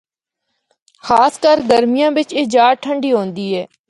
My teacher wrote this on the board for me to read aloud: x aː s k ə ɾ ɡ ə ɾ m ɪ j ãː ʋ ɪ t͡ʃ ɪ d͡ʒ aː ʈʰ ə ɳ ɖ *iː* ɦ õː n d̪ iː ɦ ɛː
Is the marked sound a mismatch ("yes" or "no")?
no